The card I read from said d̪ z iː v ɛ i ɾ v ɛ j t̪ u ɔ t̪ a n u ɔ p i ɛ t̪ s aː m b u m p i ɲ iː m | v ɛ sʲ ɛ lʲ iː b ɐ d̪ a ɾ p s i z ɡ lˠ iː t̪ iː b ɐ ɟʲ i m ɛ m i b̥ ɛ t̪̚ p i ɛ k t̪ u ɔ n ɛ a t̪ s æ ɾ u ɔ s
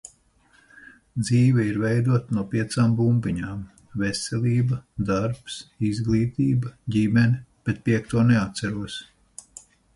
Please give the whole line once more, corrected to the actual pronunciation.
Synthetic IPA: d̪ z iː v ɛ i ɾ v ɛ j d̪ u ɔ t̪ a n u ɔ p i ɛ t̪ s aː m b u m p i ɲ aː m | v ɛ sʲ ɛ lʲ iː b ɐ d̪ a ɾ p s i z ɡ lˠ iː t̪ iː b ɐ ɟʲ i m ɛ n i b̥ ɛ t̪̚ p i ɛ k t̪ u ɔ n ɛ a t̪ s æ ɾ u ɔ s